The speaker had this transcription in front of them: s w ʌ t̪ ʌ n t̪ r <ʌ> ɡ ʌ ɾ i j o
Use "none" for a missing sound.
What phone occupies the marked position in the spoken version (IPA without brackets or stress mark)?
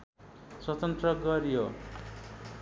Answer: ʌ